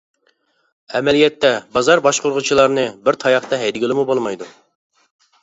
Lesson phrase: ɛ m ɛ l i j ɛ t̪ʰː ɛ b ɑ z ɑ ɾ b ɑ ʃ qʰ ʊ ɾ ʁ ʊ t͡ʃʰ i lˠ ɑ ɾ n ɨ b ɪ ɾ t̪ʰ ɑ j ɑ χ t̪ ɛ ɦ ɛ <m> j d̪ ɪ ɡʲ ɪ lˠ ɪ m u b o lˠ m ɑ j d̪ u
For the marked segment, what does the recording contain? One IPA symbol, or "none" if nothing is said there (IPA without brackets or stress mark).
none